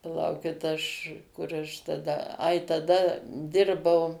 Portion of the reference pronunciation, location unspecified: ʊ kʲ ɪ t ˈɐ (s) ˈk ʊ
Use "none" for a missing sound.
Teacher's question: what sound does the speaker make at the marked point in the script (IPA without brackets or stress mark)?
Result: ʃ